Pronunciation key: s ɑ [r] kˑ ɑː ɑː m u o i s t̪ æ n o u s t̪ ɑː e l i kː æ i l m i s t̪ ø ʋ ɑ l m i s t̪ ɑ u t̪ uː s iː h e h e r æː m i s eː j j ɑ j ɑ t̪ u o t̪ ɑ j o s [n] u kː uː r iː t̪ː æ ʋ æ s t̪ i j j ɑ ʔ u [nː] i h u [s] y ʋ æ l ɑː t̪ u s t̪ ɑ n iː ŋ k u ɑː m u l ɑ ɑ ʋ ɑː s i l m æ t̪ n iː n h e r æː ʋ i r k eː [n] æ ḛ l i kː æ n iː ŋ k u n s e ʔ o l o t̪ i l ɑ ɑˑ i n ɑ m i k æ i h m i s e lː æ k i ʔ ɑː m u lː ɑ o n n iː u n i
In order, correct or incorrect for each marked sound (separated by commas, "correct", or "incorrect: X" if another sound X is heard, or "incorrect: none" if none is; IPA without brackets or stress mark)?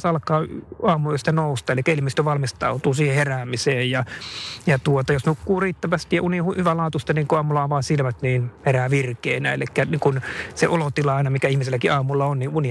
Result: incorrect: l, correct, incorrect: n, incorrect: h, correct